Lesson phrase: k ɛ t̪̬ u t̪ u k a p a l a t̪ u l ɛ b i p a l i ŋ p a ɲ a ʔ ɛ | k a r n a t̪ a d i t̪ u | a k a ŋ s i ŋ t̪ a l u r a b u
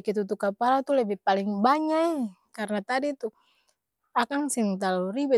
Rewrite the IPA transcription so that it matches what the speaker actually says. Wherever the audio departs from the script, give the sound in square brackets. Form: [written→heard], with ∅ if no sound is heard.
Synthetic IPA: k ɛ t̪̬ u t̪ u k a p a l a t̪ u l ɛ b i p a l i ŋ [p→b] a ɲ a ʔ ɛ | k a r n a t̪ a d i t̪ u | a k a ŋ s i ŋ t̪ a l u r [a→i] b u